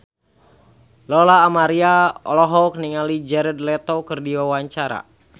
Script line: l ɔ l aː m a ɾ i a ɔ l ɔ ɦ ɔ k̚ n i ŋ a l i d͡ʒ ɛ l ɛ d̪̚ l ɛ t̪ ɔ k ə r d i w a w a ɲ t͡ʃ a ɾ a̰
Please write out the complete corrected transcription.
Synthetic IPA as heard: l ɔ l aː m a ɾ i a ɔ l ɔ ɦ ɔ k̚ n i ŋ a l i d͡ʒ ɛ ɾ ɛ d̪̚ l ɛ t̪ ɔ k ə r d i w a w a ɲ t͡ʃ a ɾ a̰